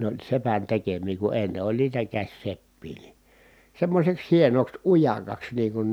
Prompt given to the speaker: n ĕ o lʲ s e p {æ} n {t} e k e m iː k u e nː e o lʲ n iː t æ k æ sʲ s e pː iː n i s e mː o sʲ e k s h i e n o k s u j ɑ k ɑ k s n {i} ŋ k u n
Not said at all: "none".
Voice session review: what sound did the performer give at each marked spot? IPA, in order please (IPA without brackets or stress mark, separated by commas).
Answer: æ, t, iː